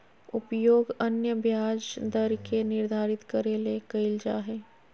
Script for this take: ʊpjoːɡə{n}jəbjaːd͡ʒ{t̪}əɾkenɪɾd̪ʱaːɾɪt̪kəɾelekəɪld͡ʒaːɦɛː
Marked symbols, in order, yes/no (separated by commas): yes, no